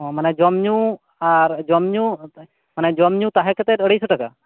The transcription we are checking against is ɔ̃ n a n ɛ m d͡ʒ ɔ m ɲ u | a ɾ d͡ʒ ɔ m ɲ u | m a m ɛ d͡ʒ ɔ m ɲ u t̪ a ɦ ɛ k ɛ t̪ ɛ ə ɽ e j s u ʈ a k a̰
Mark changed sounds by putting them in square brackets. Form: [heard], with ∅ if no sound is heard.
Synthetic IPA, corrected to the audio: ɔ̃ [m] a n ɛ [∅] d͡ʒ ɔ m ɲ u | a ɾ d͡ʒ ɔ m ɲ u | m a [n] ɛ d͡ʒ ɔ m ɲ u t̪ a ɦ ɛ k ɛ t̪ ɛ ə ɽ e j s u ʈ a k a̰